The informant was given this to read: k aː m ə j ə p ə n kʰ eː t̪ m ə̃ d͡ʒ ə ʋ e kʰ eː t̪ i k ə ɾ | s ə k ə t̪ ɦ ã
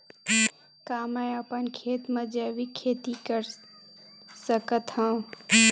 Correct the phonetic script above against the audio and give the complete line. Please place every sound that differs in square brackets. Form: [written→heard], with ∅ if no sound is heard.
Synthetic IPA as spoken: k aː m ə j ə p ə n kʰ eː t̪ m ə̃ d͡ʒ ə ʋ [e→i] kʰ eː t̪ i k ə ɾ | s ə k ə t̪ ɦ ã